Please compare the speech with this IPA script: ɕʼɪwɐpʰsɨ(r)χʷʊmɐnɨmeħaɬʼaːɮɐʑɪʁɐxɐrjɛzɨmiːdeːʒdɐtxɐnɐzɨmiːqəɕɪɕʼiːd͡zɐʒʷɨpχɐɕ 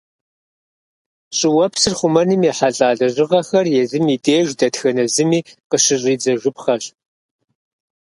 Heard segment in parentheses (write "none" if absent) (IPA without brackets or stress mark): r